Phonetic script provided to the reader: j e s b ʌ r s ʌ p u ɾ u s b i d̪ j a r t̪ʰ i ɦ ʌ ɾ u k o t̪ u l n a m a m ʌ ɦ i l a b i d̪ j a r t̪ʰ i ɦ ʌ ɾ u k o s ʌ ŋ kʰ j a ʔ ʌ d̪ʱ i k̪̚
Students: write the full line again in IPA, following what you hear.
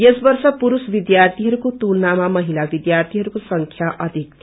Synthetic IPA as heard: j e s b ʌ r s ʌ p u ɾ u s b i d̪ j a r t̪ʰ i ɦ ʌ ɾ u k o t̪ u l n a m a m ʌ ɦ i l a b i d̪ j a r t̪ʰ i ɦ ʌ ɾ u k o s ʌ ŋ kʰ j a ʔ ʌ d̪ʱ i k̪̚